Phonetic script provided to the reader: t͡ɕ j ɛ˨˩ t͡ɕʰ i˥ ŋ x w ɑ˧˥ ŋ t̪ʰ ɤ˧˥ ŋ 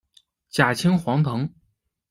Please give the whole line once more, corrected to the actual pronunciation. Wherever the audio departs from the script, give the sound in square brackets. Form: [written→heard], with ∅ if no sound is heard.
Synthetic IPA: t͡ɕ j [ɛ˨˩→a˨˩] t͡ɕʰ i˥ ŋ x w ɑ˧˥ ŋ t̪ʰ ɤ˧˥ ŋ

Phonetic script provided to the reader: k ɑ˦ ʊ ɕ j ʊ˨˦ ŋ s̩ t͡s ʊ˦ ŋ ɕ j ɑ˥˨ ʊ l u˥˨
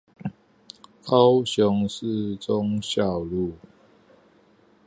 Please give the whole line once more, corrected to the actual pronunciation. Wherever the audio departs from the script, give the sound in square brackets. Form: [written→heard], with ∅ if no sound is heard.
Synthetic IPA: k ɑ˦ ʊ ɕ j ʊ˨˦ ŋ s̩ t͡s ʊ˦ ŋ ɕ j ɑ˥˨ ʊ l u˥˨

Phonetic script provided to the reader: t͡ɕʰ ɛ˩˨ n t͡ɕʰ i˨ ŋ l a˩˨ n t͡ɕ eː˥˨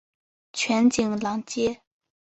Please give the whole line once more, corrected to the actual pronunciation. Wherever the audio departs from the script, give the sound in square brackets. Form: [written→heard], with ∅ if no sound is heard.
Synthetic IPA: t͡ɕʰ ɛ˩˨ n [t͡ɕʰ→t͡ɕ] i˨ ŋ l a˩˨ [n→ŋ] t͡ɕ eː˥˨

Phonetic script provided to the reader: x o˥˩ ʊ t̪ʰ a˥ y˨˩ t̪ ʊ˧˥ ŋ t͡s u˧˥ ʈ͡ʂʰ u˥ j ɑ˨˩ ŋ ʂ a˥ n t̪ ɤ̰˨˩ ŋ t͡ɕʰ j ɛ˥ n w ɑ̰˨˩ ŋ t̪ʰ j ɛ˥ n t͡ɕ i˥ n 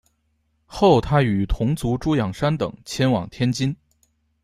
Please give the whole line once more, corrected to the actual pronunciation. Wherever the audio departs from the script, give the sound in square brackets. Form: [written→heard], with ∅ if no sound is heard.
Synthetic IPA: x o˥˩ ʊ t̪ʰ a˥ y˨˩ [t̪→t̪ʰ] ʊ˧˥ ŋ t͡s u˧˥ [ʈ͡ʂʰ→ʈ͡ʂ] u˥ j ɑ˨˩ ŋ ʂ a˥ n t̪ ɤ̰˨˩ ŋ t͡ɕʰ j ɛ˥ n w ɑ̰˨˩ ŋ t̪ʰ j ɛ˥ n t͡ɕ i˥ n

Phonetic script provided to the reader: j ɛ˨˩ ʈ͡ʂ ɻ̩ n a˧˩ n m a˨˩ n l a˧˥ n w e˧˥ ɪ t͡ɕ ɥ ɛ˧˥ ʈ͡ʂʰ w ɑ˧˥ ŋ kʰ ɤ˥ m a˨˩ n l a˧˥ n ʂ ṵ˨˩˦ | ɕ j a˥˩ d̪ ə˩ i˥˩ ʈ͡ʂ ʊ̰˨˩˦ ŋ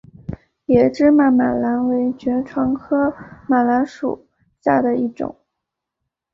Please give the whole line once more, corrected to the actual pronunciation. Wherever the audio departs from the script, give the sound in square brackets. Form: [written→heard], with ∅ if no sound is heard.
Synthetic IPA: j ɛ˨˩ ʈ͡ʂ ɻ̩ [n→m] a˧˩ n m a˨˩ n l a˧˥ n w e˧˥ ɪ t͡ɕ ɥ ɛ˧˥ ʈ͡ʂʰ w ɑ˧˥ ŋ kʰ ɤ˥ m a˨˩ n l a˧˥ n ʂ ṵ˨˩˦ | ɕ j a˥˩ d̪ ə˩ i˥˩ ʈ͡ʂ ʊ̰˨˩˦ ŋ

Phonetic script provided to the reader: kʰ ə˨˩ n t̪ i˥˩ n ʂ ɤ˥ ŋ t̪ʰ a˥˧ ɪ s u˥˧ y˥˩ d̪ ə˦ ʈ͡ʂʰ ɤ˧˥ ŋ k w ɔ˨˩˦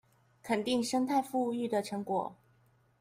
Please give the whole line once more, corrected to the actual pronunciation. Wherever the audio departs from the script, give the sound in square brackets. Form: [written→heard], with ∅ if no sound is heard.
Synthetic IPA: kʰ ə˨˩ n t̪ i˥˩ [n→ŋ] ʂ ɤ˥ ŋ t̪ʰ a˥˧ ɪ [s→f] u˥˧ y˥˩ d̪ [ə˦→ə˨˩] ʈ͡ʂʰ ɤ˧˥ ŋ k w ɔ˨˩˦

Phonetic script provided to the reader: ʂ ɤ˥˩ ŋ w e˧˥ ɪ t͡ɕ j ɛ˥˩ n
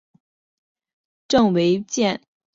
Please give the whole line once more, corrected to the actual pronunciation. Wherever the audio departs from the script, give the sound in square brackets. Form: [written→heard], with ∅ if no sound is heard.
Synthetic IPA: [ʂ→ʈ͡ʂ] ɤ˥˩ ŋ w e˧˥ ɪ t͡ɕ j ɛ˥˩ n

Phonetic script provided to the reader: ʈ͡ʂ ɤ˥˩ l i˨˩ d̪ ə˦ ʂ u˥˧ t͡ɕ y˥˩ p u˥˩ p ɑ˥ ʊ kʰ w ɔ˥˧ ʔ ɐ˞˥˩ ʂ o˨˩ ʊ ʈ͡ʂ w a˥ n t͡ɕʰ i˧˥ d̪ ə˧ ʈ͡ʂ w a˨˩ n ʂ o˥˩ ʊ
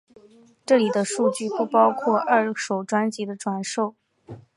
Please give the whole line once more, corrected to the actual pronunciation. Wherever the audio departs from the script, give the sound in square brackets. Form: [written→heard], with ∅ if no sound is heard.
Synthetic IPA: ʈ͡ʂ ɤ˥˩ l i˨˩ d̪ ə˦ ʂ u˥˧ t͡ɕ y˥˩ p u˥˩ p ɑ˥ ʊ kʰ w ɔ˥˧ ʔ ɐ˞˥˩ ʂ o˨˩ ʊ ʈ͡ʂ w a˥ n [t͡ɕʰ→t͡ɕ] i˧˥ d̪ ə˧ ʈ͡ʂ w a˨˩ n ʂ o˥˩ ʊ

